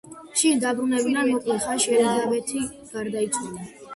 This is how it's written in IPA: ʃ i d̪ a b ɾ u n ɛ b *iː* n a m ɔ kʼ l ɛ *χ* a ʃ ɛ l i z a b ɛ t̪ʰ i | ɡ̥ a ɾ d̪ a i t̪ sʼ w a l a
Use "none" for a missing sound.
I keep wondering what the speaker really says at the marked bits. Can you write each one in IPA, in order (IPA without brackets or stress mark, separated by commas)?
i, χ